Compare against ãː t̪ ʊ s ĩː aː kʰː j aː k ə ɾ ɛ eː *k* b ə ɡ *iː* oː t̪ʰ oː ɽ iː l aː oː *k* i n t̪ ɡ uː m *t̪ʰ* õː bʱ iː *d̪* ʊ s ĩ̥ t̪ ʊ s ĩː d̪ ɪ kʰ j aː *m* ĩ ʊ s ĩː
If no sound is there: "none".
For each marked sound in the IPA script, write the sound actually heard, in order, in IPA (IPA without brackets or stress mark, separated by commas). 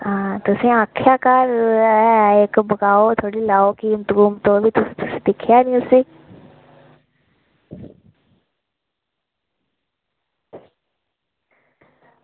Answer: k, aː, k, t̪, t̪, n